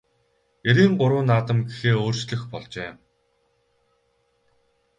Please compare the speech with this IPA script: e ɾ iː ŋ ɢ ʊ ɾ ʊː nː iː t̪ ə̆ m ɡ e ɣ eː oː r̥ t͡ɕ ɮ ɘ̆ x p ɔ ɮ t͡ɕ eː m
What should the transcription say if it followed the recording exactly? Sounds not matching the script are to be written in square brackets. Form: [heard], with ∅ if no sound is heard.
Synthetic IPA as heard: e ɾ iː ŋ ɢ ʊ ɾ ʊː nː [aː] t̪ ə̆ m ɡ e [x] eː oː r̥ t͡ɕ ɮ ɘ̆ x p ɔ ɮ t͡ɕ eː m